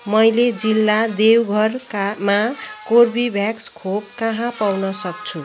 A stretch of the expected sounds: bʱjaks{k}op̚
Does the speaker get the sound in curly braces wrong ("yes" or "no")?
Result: yes